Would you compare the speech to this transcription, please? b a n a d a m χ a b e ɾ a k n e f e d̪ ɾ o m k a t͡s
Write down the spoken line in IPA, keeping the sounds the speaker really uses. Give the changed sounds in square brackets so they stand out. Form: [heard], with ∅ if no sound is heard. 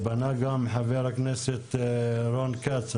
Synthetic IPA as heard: b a n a [ɡ] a m [ħ] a [v] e ɾ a k n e [s] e [t̪] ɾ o [n] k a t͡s